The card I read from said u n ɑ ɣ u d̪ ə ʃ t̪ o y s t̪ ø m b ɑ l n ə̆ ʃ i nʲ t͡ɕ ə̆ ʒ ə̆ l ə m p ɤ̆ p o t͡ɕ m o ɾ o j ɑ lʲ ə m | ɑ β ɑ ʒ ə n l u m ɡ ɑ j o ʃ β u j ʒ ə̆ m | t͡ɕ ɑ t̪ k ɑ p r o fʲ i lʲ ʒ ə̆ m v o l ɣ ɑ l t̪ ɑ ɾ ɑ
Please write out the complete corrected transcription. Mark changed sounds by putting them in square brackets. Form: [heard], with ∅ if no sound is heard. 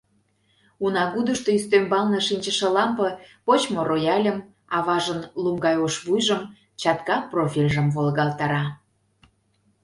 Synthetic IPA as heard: u n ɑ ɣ u d̪ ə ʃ t̪ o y s t̪ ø m b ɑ l n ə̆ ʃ i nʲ t͡ɕ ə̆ [ʃ] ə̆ l [ɑ] m p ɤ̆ p o t͡ɕ m o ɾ o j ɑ lʲ ə m | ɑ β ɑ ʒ ə n l u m ɡ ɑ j o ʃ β u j ʒ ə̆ m | t͡ɕ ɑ t̪ k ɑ p r o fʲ i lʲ ʒ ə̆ m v o l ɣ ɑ l t̪ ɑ ɾ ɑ